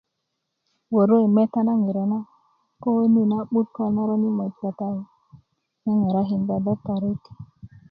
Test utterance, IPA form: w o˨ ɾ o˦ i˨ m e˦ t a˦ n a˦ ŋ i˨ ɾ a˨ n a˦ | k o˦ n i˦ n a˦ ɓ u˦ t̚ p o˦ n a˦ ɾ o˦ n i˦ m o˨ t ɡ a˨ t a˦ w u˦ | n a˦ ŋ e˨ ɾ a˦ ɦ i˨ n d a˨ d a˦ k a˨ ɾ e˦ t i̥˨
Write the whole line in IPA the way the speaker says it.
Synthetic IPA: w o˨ ɾ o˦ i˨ m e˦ t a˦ n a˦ ŋ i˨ ɾ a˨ n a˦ | k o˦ n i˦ n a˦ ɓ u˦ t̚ k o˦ n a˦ ɾ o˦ n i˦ m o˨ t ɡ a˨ t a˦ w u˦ | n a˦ ŋ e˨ ɾ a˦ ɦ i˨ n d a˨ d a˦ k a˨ ɾ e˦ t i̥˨

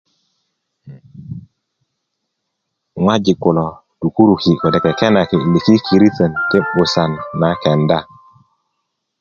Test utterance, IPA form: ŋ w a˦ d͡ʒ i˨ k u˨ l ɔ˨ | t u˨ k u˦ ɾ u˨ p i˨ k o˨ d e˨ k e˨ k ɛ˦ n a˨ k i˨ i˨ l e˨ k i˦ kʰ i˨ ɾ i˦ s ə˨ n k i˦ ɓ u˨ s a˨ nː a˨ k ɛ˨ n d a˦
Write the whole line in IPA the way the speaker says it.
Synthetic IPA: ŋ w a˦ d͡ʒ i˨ k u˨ l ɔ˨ | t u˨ k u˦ ɾ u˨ k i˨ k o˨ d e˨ k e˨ k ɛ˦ n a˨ k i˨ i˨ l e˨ k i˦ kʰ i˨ ɾ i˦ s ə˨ n t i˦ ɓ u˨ s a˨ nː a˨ k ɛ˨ n d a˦

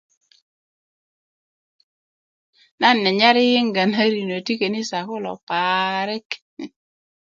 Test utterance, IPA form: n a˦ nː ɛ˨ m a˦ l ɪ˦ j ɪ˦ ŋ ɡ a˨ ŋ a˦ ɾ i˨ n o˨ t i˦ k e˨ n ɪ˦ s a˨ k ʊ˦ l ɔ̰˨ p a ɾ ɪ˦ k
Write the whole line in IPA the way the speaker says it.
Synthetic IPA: n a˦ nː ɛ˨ ɲ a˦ ɾ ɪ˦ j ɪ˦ ŋ ɡ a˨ n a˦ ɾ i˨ n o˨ t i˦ k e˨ n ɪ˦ s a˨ k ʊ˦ l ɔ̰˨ p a ɾ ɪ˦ k

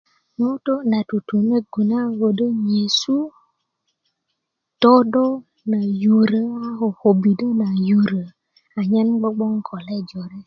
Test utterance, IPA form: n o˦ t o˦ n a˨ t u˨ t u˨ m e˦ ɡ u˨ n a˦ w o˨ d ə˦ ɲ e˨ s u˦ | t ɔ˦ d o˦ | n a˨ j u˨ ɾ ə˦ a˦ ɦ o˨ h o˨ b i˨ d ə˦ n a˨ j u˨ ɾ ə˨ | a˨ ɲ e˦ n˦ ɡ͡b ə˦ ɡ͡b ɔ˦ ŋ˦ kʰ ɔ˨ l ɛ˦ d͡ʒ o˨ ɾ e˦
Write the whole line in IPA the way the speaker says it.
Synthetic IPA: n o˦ t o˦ n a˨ t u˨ t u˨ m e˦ ɡ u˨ n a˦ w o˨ d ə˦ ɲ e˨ s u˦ | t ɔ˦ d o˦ | n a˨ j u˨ ɾ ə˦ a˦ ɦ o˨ h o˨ b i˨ d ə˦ n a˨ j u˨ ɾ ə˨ | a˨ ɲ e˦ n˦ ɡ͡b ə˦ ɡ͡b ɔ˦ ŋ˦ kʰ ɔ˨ l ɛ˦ d͡ʒ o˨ ɾ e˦

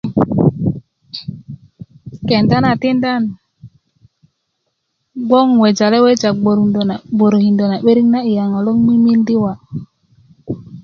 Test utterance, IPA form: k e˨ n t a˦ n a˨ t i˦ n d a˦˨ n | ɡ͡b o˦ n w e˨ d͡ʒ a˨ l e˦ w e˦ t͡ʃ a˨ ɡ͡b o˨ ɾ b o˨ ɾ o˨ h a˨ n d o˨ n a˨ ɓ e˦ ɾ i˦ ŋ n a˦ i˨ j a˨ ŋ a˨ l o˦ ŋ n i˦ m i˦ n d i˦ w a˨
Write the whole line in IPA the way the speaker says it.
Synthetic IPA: k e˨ n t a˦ n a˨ t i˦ n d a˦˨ n | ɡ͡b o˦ ŋ w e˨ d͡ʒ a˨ l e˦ w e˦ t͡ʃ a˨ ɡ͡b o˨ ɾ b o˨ ɾ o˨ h i˨ n d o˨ n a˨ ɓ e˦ ɾ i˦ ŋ n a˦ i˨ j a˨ ŋ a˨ l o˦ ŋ m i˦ m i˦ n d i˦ w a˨

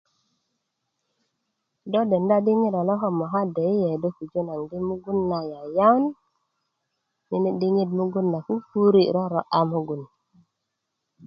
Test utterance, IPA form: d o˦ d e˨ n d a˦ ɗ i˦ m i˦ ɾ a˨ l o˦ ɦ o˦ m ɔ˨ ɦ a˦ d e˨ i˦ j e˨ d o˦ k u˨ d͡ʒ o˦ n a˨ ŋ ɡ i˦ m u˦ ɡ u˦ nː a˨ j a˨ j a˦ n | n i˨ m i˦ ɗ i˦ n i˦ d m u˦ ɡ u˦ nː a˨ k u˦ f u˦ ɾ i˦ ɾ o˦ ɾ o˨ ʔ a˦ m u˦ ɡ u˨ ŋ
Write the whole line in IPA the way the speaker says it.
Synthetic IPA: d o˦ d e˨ n d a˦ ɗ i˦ ŋ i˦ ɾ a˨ l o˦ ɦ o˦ m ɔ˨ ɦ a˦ d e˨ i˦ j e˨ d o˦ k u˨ d͡ʒ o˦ n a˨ ŋ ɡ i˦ m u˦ ɡ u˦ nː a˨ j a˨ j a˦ n | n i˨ n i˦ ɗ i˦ ŋ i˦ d m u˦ ɡ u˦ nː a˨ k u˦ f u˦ ɾ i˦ ɾ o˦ ɾ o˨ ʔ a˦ m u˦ ɡ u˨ n

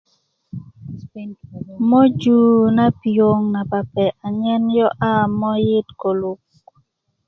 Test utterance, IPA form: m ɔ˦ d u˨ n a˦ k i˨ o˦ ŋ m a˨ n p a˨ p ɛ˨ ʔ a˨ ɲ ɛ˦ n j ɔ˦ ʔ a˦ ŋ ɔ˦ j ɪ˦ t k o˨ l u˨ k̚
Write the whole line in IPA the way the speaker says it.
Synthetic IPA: m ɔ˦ d͡ʒ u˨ n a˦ p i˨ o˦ ŋ n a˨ p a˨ p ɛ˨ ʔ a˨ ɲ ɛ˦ n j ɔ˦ ʔ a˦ m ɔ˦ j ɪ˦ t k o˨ l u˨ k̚

